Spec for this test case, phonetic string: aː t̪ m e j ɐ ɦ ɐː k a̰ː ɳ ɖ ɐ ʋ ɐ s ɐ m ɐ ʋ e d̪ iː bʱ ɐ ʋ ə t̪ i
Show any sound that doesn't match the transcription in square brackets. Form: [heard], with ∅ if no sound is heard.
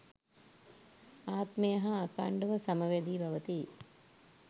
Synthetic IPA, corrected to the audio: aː t̪ m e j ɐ ɦ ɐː k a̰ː ɳ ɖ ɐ ʋ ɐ s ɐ m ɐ ʋ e d̪ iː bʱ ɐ ʋ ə t̪ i